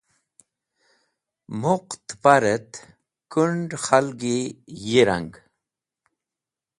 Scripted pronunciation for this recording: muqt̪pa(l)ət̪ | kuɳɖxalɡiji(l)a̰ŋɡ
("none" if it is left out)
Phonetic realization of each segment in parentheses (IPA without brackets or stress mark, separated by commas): ɾ, ɾ